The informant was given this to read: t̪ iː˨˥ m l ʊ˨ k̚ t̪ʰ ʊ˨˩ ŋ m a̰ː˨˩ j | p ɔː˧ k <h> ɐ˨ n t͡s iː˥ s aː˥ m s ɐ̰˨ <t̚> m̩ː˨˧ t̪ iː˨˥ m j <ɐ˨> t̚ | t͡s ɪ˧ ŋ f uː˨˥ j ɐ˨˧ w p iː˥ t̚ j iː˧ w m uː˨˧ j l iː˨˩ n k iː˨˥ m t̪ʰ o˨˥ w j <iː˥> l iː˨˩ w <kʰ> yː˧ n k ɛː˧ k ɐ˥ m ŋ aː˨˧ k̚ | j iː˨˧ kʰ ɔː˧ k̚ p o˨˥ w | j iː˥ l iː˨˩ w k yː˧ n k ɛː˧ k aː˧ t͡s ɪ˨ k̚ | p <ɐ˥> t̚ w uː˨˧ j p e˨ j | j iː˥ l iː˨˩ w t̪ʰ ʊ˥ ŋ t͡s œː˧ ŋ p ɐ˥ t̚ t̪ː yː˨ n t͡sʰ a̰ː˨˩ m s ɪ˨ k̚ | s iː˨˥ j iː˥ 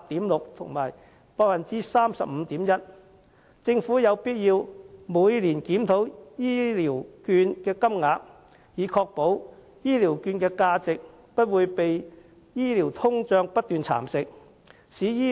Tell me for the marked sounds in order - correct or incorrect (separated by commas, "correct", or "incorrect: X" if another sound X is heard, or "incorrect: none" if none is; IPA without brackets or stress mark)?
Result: incorrect: f, incorrect: p̚, incorrect: ɐ˥, correct, incorrect: k, correct